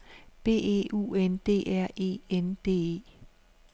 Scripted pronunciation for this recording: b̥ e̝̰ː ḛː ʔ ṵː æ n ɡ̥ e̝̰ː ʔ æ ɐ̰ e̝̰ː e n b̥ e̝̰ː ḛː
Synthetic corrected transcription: b̥ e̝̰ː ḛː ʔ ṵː e n d̥ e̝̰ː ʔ æ ɐ̰ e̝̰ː e n d̥ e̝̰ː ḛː